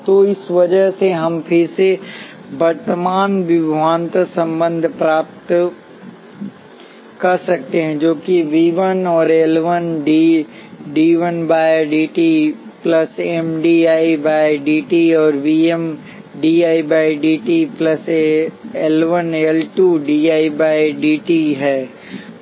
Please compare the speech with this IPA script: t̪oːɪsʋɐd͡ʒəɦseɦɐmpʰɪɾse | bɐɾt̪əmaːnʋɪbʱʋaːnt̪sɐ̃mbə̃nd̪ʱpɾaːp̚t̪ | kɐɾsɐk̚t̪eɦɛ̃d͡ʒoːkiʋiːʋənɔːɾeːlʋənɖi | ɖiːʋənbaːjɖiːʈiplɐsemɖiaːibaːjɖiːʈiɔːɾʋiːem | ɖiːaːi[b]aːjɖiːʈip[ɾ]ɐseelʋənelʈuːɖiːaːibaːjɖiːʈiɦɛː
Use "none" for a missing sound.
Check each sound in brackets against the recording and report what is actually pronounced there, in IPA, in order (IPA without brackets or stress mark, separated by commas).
b, l